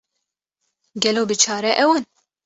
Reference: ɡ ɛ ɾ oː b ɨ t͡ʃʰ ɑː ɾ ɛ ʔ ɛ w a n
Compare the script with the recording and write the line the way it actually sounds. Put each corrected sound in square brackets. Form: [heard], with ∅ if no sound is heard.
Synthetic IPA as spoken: ɡ ɛ [l] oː b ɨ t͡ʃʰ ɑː ɾ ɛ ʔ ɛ w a n